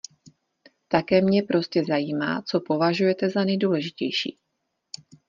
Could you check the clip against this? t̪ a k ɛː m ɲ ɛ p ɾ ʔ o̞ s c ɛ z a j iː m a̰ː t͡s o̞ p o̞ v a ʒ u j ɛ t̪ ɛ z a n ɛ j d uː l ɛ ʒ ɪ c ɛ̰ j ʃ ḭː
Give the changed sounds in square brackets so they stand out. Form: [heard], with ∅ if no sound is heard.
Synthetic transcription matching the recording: t̪ a k ɛː m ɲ ɛ p ɾ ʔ o̞ s c ɛ z a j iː m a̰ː t͡s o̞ p o̞ v a ʒ u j ɛ t̪ ɛ z a n ɛ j d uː l ɛ ʒ ɪ c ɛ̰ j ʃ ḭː